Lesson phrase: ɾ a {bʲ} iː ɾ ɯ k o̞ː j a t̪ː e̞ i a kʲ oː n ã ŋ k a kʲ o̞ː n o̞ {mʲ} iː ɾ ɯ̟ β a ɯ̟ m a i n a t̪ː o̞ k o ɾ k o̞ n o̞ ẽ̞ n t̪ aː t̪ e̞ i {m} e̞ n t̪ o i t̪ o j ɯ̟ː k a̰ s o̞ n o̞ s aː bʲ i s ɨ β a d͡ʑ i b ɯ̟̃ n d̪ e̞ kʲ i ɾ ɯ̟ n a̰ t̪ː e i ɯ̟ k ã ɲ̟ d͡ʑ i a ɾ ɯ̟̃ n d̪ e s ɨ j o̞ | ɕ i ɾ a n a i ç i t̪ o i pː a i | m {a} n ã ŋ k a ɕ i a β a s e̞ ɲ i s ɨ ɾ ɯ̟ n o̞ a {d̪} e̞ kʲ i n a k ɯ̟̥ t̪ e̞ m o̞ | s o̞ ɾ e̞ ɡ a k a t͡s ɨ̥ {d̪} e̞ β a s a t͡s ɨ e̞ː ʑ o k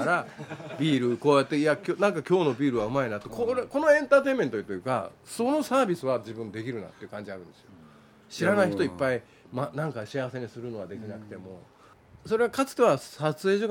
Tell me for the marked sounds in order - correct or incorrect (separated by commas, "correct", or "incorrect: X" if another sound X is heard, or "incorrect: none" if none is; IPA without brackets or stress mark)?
correct, incorrect: bʲ, correct, correct, correct, incorrect: t̪